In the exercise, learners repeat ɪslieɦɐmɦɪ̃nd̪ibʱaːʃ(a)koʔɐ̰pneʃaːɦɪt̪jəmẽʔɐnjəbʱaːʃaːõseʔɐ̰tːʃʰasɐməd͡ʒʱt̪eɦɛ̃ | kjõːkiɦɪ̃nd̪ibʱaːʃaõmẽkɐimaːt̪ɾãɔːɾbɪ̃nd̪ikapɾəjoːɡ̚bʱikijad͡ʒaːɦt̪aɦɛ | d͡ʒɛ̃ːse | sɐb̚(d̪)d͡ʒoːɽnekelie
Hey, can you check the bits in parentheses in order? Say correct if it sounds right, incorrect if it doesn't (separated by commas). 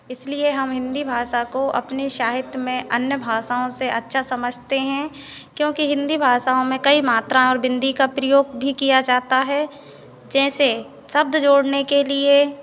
correct, correct